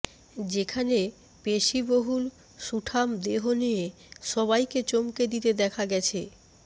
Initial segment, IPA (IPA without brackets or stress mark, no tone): d͡ʑ